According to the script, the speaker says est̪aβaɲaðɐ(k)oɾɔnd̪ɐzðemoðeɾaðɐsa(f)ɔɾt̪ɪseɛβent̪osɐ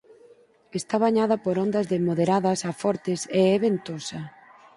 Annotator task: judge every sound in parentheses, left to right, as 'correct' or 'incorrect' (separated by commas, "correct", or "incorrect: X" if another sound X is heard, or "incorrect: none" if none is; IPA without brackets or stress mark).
incorrect: p, correct